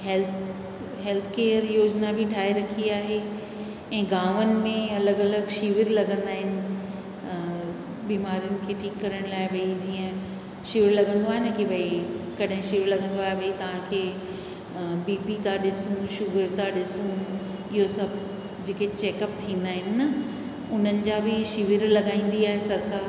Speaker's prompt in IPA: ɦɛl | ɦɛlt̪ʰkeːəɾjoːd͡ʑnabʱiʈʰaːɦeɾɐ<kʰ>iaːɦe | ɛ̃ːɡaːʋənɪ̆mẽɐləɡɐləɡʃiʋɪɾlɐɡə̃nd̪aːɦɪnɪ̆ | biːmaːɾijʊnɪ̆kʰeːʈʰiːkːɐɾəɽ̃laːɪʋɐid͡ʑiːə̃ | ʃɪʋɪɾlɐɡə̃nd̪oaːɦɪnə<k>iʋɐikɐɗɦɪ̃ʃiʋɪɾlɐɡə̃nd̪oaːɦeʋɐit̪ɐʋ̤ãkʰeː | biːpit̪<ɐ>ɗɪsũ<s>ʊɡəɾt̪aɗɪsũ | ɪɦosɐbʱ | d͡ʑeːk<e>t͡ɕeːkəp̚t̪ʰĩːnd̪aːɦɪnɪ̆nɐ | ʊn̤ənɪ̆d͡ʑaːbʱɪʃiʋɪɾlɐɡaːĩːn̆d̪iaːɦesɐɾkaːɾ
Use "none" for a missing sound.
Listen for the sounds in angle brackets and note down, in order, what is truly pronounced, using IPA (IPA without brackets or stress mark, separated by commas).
kʰ, k, a, ʃ, e